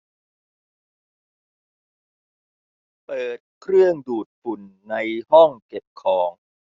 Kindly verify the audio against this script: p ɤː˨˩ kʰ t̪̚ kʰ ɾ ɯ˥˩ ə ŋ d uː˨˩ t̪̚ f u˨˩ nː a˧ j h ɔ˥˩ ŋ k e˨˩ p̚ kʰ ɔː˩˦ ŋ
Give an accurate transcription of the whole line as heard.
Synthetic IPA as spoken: p ɤː˨˩ t̪̚ kʰ ɾ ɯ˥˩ ə ŋ d uː˨˩ t̪̚ f u˨˩ nː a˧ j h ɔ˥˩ ŋ k e˨˩ p̚ kʰ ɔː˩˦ ŋ